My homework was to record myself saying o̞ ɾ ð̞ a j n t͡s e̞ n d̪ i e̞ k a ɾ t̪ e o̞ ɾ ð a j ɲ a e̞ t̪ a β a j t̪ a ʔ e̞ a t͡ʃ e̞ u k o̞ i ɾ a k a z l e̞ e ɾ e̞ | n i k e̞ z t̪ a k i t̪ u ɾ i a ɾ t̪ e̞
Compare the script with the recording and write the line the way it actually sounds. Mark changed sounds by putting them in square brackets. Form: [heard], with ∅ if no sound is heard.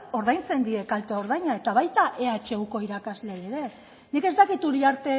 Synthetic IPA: o̞ ɾ ð̞ a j n t͡s e̞ n d̪ i e̞ k a [l] t̪ e o̞ ɾ ð a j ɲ a e̞ t̪ a β a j t̪ a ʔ e̞ a t͡ʃ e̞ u k o̞ i ɾ a k a z l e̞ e ɾ e̞ | n i k e̞ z t̪ a k i t̪ u ɾ i a ɾ t̪ e̞